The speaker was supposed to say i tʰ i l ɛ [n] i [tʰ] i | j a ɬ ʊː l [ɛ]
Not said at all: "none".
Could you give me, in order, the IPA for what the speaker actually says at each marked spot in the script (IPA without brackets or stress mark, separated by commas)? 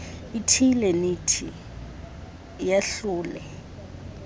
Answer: n, tʰ, ɛ